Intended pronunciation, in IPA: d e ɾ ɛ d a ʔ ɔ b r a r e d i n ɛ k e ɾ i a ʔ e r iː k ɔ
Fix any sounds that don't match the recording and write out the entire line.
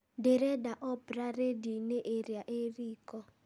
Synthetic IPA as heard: d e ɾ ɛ d a ʔ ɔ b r a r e d i n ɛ ʔ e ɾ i a ʔ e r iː k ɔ